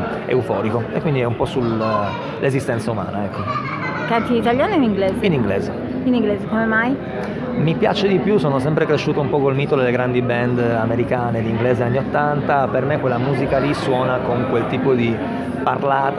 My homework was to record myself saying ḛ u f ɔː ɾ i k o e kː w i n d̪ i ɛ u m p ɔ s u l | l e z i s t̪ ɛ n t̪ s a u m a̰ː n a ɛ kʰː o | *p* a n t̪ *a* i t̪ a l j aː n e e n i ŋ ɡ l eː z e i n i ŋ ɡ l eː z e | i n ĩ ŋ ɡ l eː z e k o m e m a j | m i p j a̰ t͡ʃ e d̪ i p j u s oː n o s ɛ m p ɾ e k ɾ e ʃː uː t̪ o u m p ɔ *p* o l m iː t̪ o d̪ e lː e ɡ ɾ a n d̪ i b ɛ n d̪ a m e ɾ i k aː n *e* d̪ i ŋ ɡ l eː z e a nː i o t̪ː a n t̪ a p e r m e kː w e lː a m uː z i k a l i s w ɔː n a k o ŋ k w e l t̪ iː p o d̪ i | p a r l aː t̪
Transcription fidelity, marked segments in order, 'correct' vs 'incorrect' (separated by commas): incorrect, incorrect, incorrect, correct